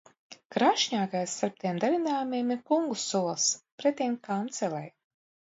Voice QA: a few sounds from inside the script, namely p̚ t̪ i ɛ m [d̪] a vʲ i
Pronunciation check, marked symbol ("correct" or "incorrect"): correct